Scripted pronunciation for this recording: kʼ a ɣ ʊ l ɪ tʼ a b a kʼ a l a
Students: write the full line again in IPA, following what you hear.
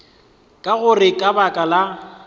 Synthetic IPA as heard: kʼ a ɣ ʊ r ɪ kʼ a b a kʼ a l a